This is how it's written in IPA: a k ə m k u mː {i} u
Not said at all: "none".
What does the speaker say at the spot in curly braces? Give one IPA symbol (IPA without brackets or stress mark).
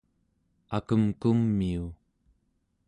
i